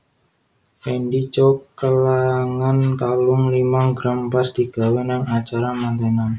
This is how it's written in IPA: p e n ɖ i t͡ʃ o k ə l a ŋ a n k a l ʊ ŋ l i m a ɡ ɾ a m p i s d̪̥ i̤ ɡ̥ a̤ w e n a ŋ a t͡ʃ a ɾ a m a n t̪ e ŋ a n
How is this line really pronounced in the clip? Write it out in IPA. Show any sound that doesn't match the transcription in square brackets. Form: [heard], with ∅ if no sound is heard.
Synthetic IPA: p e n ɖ i t͡ʃ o k ə l a ŋ a n k a l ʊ ŋ l i m a ɡ ɾ a m p [a] s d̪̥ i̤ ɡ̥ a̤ w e n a ŋ a t͡ʃ a ɾ a m a n t̪ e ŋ a n

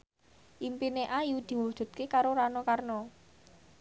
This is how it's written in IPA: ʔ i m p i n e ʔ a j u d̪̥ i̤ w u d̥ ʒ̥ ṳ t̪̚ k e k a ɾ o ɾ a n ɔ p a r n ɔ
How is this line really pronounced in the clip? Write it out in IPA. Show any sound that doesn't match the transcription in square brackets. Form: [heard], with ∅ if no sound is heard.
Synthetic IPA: ʔ i m p i n e ʔ a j u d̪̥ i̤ w u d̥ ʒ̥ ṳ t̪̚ k e k a ɾ o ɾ a n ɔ [k] a r n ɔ

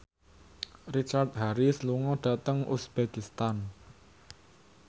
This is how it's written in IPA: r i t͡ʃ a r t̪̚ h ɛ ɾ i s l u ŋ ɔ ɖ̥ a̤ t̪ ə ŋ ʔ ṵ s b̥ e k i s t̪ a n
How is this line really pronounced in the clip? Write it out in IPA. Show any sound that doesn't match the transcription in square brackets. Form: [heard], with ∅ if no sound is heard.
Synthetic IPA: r i t͡ʃ a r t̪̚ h [a] ɾ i s l u ŋ ɔ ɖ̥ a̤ t̪ ə ŋ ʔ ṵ s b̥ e k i s t̪ a n

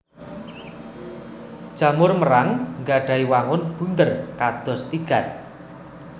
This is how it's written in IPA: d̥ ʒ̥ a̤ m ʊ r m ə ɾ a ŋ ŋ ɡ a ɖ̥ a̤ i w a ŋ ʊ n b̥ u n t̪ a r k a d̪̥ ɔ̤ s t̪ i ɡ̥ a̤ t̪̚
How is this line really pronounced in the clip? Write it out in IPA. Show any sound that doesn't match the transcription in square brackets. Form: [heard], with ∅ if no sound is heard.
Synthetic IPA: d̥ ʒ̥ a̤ m ʊ r m ə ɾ a ŋ ŋ ɡ a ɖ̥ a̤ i w a ŋ ʊ n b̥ u n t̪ [ə] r k a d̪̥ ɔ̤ s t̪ i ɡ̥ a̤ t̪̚

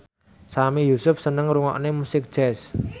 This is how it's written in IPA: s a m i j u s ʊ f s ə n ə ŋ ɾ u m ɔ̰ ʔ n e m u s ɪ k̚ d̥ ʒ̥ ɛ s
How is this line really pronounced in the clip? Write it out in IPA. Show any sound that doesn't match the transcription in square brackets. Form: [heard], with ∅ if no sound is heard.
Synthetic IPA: s a m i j u s ʊ f s ə n ə ŋ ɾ u [ŋ] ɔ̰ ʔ n e m u s ɪ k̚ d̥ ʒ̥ ɛ s

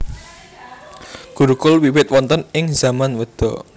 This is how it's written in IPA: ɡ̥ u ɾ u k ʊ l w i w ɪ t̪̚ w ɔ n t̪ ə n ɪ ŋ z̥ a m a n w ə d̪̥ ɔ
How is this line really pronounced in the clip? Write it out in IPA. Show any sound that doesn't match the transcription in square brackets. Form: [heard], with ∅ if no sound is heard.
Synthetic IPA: ɡ̥ u ɾ u k ʊ l w i w ɪ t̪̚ w ɔ n t̪ ə n ɪ ŋ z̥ a m a n w ə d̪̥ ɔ

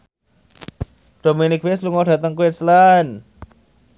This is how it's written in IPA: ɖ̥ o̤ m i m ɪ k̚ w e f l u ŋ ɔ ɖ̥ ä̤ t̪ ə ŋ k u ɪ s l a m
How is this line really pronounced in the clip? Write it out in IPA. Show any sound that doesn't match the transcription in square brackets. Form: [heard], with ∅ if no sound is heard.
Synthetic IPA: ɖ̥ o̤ m i [n] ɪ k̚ w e [s] l u ŋ ɔ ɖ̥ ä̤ t̪ ə ŋ k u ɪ s l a [n]

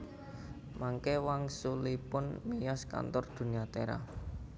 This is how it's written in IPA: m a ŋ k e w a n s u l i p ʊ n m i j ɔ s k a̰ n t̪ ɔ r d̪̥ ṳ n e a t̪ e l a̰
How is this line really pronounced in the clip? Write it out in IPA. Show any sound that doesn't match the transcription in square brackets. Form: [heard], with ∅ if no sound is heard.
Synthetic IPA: m a ŋ k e w a [ŋ] s u l i p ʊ n m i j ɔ s k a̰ n t̪ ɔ r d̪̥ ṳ n [i] a t̪ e [ɾ] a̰

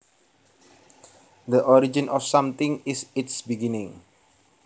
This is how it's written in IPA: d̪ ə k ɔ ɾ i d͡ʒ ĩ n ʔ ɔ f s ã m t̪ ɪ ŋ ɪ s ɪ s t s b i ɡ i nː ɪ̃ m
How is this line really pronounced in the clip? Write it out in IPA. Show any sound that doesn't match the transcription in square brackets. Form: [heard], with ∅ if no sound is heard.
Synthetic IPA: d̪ ə [ʔ] ɔ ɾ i d͡ʒ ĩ n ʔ ɔ f s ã m t̪ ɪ ŋ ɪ s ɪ [∅] t s b i ɡ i [n] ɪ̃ [ŋ]

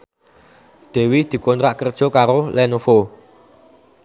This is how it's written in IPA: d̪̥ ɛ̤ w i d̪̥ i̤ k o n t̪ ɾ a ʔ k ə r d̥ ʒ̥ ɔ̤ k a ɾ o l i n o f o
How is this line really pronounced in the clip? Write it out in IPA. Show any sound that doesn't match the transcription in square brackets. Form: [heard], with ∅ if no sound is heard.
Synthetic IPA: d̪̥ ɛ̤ w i d̪̥ i̤ k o n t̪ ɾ a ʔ k ə r d̥ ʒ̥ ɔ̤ k a ɾ o l [ɛ] n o f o

